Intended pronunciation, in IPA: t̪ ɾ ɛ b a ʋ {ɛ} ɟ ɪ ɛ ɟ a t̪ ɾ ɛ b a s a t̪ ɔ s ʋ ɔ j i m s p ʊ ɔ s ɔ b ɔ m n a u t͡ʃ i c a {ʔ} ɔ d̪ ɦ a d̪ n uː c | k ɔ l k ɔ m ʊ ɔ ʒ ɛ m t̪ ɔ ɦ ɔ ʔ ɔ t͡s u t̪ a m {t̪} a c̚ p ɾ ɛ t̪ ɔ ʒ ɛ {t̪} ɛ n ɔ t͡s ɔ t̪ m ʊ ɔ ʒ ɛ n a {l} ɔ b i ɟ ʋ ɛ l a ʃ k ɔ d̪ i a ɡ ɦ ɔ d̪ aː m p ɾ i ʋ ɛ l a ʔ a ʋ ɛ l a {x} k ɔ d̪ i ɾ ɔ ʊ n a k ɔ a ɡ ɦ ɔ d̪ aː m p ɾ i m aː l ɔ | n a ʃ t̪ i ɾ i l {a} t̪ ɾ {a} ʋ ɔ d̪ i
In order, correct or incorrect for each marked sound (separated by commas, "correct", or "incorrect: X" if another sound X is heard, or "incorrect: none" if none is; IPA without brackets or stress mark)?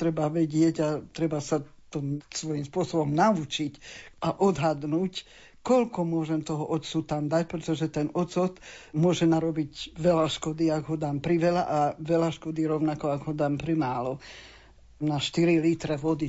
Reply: correct, correct, incorrect: d̪, correct, incorrect: ɾ, incorrect: ʃ, incorrect: i, incorrect: ɛ